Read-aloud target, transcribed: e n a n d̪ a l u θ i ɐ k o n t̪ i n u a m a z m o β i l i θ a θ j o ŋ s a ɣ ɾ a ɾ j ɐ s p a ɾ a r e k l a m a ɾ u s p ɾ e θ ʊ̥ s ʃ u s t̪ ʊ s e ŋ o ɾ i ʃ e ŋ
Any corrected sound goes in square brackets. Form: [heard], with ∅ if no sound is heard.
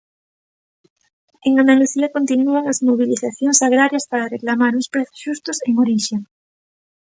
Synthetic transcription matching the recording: e [ŋ] a n d̪ a l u θ i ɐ k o n t̪ i n u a [ŋ] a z m o β i l i θ a θ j o ŋ s a ɣ ɾ a ɾ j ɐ s p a ɾ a r e k l a m a ɾ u s p ɾ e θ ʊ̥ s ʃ u s t̪ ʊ s e ŋ o ɾ i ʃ e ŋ